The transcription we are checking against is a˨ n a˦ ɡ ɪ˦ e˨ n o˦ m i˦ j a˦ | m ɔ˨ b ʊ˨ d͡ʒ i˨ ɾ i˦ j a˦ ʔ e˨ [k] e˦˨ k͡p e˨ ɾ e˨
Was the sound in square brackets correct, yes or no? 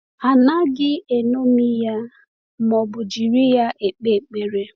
no